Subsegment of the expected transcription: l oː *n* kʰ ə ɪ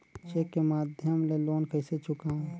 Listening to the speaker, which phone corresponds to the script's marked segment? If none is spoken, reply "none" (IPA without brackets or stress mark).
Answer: n